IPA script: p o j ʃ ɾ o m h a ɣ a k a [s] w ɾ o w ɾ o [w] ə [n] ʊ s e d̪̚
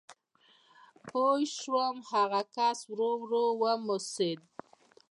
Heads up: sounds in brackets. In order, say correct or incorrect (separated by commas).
correct, correct, incorrect